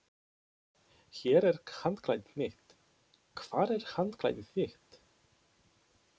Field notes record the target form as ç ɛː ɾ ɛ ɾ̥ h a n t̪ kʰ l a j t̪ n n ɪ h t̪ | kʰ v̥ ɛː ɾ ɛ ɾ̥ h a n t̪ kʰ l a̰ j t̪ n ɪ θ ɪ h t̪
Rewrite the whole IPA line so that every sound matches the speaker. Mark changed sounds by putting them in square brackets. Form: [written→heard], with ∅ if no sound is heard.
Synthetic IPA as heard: ç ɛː ɾ ɛ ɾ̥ h a n t̪ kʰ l a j t̪ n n ɪ h t̪ | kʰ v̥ [ɛː→aː] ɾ ɛ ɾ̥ h a n t̪ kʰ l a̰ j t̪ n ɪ θ ɪ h t̪